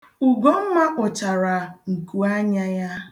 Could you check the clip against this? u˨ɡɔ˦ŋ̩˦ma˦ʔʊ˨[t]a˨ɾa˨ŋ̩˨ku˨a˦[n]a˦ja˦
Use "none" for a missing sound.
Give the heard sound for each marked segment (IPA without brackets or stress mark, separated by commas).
t͡ʃ, ɲ